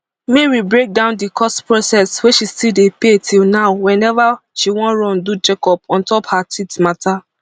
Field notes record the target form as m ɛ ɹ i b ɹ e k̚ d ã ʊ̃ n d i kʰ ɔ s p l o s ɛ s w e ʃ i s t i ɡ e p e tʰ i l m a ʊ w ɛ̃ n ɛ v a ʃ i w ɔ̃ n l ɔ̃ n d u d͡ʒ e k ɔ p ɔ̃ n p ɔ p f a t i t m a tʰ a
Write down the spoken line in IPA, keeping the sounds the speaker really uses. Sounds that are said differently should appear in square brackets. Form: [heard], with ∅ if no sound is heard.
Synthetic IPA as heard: m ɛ ɹ i b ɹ e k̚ d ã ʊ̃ n d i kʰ ɔ s p [ɹ] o s ɛ s w e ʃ i s t i [d] e p e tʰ i l [n] a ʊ w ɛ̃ n ɛ v a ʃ i w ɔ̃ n [ɹ] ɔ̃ n d u d͡ʒ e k ɔ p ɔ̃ n [t] ɔ p [h] a t i t m a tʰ a